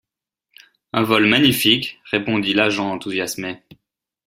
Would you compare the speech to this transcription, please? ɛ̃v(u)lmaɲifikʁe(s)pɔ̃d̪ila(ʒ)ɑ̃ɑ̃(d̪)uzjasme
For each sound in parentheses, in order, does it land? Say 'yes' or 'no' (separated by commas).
no, no, yes, no